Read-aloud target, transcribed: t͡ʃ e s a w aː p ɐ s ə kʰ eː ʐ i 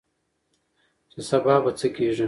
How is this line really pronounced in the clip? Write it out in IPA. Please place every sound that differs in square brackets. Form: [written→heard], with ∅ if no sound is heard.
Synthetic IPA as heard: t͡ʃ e s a [w→b] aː [p→b] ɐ [s→t͡s] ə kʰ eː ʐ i